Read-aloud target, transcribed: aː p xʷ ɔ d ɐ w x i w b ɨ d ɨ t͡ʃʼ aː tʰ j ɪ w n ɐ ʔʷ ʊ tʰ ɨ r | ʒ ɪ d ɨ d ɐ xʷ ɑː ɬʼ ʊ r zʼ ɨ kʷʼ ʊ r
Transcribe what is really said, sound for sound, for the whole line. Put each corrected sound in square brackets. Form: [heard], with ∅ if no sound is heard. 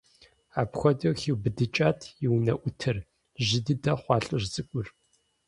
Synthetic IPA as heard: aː p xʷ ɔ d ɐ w x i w b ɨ d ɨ t͡ʃʼ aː tʰ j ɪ w n ɐ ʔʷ ʊ tʰ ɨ r | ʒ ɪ d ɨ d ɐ [χʷ] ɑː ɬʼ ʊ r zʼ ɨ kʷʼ ʊ r